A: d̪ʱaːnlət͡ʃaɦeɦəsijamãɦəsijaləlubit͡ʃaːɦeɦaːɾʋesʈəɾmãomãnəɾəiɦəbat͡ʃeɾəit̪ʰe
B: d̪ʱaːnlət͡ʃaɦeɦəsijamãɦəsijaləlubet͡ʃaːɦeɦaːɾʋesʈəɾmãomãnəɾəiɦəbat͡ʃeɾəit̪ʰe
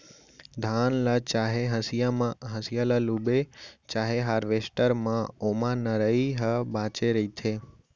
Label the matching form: B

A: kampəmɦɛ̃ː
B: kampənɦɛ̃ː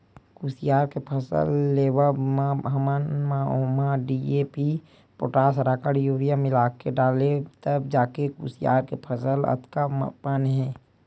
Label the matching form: B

